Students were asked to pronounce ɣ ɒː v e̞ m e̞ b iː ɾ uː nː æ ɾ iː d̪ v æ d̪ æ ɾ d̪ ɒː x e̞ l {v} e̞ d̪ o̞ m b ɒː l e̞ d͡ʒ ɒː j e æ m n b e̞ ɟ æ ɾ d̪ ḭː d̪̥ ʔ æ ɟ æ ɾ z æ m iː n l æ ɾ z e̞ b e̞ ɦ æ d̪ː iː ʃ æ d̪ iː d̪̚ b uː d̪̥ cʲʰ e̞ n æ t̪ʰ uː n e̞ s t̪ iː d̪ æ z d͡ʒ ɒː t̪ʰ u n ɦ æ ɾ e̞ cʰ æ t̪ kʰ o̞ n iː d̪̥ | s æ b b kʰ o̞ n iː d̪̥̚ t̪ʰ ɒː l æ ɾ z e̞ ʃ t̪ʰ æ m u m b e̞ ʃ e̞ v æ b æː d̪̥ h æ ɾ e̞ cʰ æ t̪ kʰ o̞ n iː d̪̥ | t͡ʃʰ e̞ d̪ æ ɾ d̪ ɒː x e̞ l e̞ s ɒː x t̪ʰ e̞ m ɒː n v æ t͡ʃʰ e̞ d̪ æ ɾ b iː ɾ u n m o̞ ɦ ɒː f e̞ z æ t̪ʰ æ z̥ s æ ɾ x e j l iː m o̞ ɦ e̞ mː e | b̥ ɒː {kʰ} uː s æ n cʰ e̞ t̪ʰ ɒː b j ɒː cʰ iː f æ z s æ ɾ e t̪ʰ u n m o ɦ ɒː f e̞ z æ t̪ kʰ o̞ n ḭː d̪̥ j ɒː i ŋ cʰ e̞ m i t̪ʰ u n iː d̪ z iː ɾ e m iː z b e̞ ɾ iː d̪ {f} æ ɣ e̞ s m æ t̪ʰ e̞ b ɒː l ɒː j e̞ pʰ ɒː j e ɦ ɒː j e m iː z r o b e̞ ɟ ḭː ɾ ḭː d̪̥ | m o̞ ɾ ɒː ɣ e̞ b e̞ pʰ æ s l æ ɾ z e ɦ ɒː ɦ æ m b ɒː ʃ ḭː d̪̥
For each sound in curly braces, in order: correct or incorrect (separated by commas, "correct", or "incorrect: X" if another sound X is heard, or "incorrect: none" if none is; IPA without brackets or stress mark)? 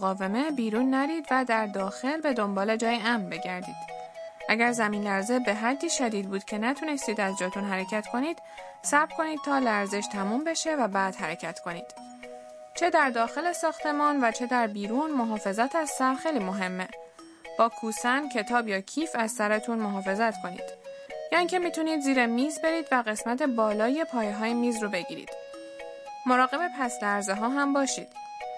incorrect: b, correct, incorrect: v